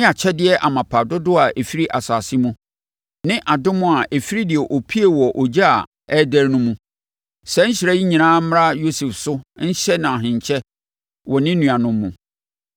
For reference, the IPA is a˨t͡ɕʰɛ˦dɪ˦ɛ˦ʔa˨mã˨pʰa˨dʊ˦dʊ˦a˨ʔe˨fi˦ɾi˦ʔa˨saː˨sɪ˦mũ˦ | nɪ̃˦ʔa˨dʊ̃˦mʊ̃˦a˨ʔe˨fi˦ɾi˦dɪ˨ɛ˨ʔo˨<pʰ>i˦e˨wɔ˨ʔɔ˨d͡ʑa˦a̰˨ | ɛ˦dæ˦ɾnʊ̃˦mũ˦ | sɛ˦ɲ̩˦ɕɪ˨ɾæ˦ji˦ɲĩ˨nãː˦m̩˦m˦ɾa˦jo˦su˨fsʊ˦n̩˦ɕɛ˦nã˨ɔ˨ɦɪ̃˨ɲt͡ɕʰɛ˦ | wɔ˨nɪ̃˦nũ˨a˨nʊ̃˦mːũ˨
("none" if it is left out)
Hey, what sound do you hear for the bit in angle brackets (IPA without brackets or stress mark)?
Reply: pʰ